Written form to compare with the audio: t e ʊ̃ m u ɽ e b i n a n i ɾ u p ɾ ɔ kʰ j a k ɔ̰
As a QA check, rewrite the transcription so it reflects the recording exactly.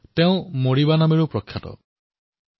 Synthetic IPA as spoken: t e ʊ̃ m o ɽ i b a n a m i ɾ u p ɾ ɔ kʰ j a t ɔ̰